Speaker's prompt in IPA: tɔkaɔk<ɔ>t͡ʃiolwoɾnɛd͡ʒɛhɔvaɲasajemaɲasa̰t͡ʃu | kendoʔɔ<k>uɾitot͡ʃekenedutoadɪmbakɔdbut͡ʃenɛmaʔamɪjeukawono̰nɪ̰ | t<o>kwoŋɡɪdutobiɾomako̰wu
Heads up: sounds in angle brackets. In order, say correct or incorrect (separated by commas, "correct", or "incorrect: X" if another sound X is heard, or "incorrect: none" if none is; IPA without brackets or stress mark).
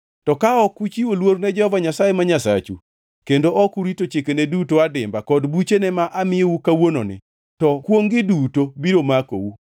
incorrect: u, correct, incorrect: ɔ